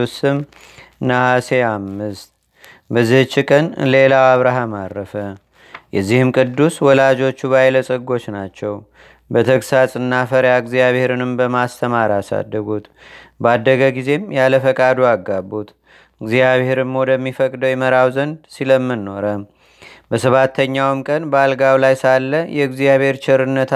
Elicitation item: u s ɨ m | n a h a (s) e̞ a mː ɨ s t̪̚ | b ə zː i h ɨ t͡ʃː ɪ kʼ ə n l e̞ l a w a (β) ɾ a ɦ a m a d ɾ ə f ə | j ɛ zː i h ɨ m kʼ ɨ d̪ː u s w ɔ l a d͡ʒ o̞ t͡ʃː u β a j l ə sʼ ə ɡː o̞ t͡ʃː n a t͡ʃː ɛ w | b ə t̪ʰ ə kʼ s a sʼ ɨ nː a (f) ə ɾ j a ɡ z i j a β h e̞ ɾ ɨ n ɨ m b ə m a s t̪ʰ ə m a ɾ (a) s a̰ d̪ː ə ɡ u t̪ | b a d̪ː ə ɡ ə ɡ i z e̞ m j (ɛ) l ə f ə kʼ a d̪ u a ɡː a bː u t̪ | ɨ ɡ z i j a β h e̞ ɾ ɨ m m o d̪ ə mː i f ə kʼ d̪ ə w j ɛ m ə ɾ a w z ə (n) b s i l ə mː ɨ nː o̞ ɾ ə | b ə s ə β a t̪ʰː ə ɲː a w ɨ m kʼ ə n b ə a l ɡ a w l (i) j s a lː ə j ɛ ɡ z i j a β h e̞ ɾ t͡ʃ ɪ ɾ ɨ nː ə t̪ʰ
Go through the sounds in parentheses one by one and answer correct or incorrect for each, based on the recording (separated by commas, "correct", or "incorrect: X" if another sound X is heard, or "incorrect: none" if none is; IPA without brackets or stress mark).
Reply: correct, correct, correct, correct, incorrect: a, correct, incorrect: a